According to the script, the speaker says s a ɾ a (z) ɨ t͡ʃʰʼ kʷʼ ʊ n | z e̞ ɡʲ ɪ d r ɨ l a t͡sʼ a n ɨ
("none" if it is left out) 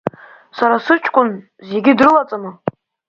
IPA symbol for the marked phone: s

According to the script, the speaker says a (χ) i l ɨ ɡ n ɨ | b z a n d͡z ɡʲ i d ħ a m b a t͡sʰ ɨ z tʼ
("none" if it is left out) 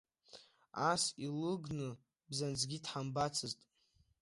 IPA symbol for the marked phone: s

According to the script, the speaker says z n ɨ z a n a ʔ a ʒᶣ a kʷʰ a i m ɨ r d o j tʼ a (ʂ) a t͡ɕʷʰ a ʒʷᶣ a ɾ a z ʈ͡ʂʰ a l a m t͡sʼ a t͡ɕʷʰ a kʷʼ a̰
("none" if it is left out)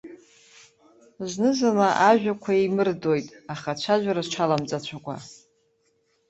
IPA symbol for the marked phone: χ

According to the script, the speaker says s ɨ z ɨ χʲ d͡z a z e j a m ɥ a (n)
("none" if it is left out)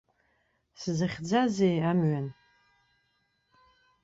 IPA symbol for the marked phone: n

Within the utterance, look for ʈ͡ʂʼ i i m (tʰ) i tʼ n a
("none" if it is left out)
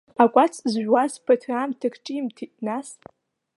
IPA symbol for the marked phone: tʰ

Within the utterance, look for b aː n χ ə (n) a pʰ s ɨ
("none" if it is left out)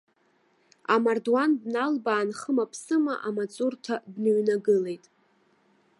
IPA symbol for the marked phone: m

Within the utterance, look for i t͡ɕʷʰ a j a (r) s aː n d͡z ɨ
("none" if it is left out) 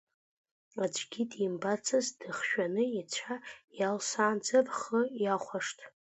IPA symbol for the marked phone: l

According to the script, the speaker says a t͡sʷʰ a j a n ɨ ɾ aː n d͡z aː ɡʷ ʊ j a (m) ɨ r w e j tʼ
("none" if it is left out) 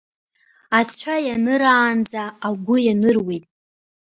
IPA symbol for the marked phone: n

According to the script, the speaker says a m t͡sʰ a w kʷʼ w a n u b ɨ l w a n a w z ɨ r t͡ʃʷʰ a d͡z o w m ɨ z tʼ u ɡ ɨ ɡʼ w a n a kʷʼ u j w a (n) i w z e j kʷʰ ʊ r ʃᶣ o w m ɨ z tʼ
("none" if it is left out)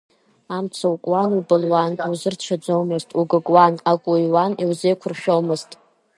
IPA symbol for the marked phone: n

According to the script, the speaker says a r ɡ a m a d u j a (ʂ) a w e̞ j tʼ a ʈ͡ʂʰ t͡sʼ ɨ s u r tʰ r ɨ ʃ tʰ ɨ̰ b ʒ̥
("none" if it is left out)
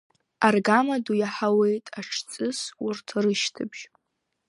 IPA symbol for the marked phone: ħ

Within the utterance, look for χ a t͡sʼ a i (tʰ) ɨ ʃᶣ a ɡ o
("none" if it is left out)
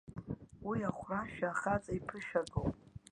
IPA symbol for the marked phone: pʰ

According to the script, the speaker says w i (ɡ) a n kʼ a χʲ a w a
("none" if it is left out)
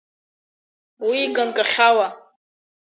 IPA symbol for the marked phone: ɡ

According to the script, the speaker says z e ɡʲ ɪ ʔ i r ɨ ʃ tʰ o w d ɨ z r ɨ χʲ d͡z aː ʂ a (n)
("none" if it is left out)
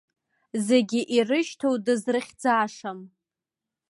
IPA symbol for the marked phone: m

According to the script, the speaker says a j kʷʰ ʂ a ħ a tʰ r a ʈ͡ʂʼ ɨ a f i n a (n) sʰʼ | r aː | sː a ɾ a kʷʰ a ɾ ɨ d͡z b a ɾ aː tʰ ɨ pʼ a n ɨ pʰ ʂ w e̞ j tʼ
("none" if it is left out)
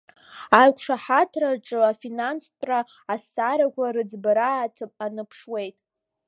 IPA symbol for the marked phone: n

